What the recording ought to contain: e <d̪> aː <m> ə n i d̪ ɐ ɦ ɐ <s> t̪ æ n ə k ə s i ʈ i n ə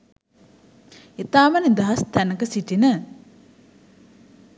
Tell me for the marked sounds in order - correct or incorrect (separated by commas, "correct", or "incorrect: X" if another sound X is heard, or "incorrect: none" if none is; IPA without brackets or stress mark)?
incorrect: t̪, correct, correct